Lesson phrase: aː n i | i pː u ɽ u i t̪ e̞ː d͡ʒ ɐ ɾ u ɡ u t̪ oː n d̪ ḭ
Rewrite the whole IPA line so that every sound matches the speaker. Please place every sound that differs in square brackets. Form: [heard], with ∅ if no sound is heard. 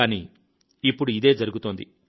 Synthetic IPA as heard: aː n i | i pː u ɽ u i [d̪] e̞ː d͡ʒ ɐ ɾ u ɡ u t̪ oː n d̪ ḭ